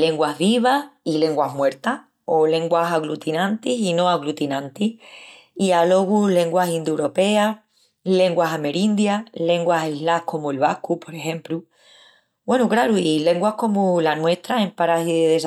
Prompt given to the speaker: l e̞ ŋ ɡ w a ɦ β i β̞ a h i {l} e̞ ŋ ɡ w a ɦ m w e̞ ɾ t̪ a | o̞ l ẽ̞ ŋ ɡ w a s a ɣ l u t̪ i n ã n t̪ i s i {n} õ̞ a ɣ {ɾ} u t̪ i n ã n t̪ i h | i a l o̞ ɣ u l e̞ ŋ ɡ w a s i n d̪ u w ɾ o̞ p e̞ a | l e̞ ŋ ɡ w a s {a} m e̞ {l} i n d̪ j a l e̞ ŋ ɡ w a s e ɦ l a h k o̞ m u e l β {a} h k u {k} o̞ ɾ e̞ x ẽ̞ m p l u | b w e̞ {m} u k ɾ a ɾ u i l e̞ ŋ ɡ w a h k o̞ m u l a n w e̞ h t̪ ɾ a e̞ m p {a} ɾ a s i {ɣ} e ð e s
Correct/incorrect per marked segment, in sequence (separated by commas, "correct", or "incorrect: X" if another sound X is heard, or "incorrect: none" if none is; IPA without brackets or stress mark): correct, correct, incorrect: l, correct, incorrect: ɾ, correct, incorrect: p, incorrect: n, correct, incorrect: ð